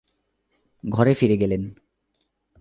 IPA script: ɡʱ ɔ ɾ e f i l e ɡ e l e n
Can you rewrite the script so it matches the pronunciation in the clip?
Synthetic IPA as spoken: ɡʱ ɔ ɾ e f i ɾ e ɡ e l e n